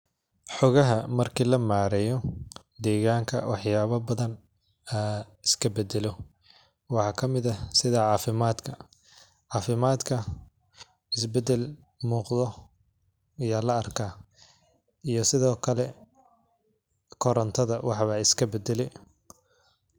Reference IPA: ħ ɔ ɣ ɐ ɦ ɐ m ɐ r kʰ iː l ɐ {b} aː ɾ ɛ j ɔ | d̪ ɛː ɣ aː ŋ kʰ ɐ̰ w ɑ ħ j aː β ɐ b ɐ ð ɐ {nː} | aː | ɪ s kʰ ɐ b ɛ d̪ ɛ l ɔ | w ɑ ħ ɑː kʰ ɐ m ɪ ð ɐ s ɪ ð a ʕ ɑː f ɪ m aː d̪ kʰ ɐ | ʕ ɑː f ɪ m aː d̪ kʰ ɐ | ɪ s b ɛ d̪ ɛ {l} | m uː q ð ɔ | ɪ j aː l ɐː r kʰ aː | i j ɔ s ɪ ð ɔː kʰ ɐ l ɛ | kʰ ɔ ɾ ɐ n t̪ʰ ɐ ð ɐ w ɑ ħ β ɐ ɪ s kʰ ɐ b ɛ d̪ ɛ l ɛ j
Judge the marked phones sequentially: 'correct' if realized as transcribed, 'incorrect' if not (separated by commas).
incorrect, incorrect, correct